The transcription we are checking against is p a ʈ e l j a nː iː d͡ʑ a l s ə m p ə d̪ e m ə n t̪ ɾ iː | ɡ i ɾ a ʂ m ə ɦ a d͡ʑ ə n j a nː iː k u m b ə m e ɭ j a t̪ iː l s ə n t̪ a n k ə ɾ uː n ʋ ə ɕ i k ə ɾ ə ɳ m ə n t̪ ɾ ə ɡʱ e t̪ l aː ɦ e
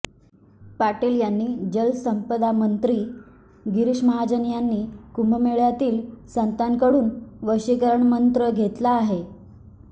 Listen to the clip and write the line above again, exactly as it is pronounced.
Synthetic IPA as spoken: p a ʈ e l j a nː iː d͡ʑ ə l s ə m p ə d̪ a m ə n t̪ ɾ iː | ɡ i ɾ i ʂ m ə ɦ a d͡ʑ ə n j a nː iː k u m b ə m e ɭ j a t̪ iː l s ə n t̪ a n k ə ɽ uː n ʋ ə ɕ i k ə ɾ ə ɳ m ə n t̪ ɾ ə ɡʱ e t̪ l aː ɦ e